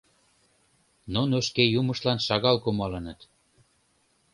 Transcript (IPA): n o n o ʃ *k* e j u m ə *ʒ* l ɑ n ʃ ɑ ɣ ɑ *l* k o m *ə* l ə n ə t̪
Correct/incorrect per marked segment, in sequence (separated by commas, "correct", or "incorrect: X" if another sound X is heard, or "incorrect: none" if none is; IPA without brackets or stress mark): correct, incorrect: ʃ, correct, incorrect: ɑ